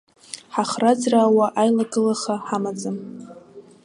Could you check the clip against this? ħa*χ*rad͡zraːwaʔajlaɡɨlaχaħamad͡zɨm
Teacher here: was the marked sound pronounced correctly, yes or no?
yes